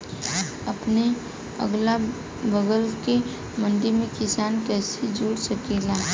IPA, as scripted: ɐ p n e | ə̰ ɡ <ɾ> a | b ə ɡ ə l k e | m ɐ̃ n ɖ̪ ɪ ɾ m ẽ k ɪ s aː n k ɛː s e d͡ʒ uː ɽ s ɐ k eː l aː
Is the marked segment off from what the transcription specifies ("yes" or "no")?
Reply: yes